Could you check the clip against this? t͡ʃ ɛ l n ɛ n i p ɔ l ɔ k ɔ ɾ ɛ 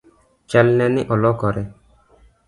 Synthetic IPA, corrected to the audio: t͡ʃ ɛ l n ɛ n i ʔ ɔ l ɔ k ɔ ɾ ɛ

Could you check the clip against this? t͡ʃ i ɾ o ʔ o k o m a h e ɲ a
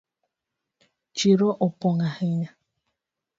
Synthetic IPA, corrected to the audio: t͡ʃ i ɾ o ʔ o p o ŋ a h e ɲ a

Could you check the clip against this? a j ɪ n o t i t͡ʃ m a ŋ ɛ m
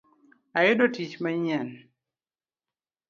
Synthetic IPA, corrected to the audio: a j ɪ d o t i t͡ʃ m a ɲ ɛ n

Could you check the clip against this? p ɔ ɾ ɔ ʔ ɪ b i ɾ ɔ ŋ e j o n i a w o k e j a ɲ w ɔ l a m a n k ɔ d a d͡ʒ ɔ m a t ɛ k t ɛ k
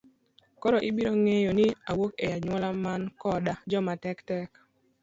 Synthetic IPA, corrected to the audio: k ɔ ɾ ɔ ʔ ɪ b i ɾ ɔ ŋ e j o n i a w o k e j a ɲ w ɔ l a m a n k ɔ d a d͡ʒ ɔ m a t ɛ k t ɛ k

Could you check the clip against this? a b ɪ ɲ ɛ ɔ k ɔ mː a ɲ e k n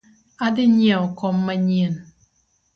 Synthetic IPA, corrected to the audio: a d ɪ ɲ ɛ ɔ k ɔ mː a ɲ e n

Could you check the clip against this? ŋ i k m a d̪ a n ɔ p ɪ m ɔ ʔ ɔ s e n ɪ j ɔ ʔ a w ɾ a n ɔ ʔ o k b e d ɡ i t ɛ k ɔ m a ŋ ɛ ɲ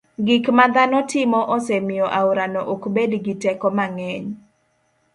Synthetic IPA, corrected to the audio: ɡ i k m a d̪ a n ɔ t ɪ m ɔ ʔ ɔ s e m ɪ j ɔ ʔ a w ɾ a n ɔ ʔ o k b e d ɡ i t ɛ k ɔ m a ŋ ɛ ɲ

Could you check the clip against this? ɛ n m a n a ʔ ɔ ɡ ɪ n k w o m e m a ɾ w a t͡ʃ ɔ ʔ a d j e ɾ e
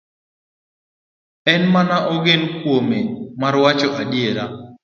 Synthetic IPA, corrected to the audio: ɛ n m a n a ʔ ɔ ɡ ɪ n k w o m e m a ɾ w a t͡ʃ ɔ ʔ a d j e ɾ a

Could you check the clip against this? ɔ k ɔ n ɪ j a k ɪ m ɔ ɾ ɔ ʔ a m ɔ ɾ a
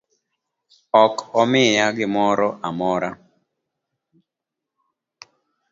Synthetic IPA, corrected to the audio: ɔ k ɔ m ɪ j a ɡ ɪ m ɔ ɾ ɔ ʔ a m ɔ ɾ a

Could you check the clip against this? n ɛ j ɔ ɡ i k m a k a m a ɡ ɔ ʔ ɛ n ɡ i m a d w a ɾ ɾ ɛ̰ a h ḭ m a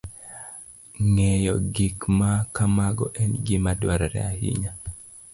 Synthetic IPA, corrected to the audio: ŋ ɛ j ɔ ɡ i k m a k a m a ɡ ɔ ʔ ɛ n ɡ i m a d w a ɾ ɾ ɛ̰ a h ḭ ɲ a

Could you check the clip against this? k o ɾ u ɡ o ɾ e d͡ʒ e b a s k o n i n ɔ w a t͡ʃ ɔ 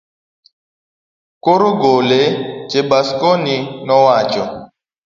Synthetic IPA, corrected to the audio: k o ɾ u ɡ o l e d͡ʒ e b a s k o n i n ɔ w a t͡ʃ ɔ

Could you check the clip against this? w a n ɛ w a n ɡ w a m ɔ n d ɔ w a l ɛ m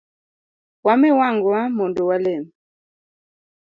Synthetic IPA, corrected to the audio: w a m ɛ w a ŋ ɡ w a m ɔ n d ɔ w a l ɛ m

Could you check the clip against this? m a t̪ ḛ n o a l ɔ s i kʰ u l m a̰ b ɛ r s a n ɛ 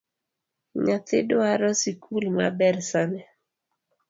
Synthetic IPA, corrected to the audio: ɲ a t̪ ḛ d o a ɾ ɔ s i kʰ u l m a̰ b ɛ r s a n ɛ

